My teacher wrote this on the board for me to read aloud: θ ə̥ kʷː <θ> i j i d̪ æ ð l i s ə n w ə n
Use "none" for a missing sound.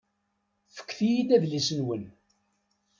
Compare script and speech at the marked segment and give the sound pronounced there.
θ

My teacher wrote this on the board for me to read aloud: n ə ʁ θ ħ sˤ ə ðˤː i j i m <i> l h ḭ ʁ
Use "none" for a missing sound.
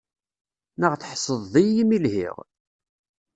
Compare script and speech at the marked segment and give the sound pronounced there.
i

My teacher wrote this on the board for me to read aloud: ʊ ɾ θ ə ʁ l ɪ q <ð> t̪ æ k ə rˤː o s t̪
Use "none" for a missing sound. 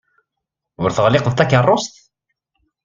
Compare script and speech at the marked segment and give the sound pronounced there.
ð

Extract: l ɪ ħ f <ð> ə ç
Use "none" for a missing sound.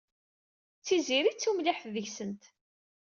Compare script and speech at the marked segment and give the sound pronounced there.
ð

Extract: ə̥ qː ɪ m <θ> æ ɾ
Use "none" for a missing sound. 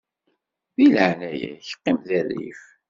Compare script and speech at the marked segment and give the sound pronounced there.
ð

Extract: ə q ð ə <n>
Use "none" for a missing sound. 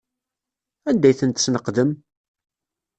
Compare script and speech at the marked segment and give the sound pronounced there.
m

